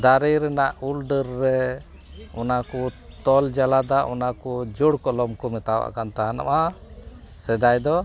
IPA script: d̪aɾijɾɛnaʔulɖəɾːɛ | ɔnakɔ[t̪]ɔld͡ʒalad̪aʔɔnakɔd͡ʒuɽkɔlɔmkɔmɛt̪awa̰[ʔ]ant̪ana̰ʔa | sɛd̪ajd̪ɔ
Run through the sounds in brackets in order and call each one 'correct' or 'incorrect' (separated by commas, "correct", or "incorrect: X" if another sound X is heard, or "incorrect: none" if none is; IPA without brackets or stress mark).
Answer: correct, incorrect: k